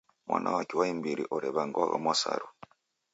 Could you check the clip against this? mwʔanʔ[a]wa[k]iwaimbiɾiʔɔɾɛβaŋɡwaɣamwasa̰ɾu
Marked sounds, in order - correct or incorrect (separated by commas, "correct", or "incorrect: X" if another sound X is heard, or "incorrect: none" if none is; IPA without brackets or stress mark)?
correct, correct